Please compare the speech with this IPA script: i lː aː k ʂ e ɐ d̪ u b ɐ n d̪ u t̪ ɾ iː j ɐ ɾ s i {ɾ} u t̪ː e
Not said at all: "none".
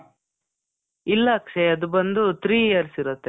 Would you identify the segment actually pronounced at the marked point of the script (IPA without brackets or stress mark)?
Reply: ɾ